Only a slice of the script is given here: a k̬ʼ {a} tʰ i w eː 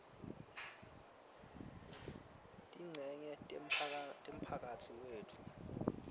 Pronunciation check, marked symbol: correct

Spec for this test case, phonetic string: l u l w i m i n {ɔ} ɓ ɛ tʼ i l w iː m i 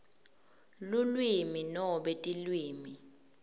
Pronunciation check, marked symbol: correct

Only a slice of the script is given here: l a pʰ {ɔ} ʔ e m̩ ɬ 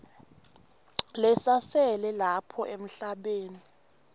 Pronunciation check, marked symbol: correct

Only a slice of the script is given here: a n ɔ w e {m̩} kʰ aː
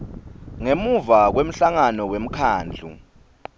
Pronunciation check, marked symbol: correct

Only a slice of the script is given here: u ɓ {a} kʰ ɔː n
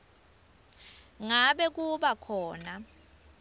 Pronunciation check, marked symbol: correct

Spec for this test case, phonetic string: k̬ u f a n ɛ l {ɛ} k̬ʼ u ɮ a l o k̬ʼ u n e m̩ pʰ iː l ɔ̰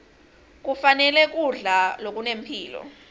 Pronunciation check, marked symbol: correct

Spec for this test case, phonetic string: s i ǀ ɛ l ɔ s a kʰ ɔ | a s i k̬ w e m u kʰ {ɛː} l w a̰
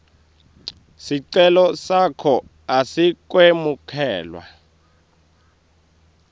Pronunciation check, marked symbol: correct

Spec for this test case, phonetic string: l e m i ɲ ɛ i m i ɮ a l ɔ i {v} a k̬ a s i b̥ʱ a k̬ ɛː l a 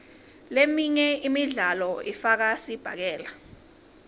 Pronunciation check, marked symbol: incorrect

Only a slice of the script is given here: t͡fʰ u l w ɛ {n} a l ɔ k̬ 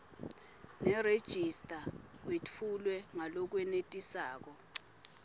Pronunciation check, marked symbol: incorrect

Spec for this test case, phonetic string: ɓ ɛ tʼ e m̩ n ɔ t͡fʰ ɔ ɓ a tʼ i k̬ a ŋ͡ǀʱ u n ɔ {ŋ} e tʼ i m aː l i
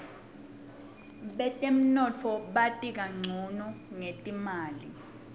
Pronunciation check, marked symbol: correct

